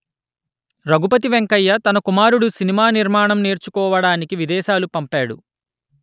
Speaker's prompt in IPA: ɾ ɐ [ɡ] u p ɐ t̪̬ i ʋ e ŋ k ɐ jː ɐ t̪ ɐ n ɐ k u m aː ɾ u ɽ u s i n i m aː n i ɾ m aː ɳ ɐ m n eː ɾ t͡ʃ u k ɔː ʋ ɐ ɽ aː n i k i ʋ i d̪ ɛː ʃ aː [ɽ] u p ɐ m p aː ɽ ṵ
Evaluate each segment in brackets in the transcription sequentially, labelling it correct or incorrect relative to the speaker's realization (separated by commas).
correct, incorrect